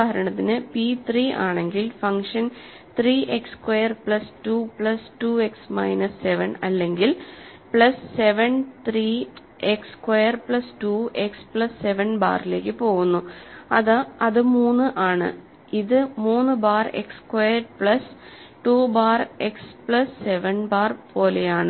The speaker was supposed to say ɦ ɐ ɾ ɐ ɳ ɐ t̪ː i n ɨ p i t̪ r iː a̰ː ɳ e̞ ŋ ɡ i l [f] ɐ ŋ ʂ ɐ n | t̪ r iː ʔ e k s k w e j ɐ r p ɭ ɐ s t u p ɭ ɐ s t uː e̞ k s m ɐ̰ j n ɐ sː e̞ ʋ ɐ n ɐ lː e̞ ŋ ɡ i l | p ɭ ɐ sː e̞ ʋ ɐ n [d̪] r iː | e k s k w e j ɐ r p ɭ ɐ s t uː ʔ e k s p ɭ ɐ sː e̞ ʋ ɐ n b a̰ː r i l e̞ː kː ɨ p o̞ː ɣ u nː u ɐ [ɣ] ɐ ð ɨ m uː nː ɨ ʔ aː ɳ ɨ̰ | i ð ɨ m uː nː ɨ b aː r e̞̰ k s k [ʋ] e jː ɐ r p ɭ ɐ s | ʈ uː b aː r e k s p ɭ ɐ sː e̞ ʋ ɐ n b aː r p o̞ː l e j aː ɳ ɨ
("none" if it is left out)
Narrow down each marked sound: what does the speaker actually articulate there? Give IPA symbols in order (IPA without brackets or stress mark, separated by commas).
f, t̪, ð, w